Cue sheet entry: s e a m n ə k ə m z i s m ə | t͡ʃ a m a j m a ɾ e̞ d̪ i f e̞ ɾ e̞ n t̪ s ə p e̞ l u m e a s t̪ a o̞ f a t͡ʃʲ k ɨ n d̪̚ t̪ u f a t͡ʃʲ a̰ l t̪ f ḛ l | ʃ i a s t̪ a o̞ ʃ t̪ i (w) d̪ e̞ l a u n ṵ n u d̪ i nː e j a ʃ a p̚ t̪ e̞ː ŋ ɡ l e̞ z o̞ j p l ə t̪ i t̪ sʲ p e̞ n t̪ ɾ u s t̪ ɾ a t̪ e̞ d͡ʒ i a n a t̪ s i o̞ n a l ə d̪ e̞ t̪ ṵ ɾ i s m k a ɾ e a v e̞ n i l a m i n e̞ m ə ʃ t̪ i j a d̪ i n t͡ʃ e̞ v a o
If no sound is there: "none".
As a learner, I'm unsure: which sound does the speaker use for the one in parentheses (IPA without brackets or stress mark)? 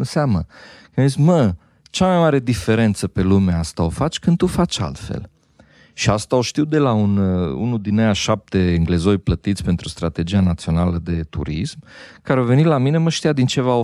w